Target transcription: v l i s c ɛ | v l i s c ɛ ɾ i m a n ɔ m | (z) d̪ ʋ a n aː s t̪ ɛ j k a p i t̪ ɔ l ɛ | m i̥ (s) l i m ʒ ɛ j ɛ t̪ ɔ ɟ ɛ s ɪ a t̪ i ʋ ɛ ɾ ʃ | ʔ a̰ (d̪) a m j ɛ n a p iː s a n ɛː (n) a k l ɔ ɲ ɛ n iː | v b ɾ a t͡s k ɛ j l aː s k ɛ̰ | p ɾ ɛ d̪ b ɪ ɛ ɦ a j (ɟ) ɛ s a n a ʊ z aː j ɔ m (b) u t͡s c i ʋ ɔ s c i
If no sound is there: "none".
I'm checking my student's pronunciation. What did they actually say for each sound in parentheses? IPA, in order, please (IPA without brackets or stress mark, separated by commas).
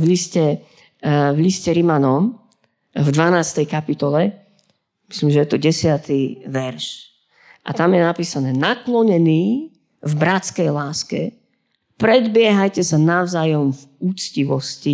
v, s, t̪, n, c, v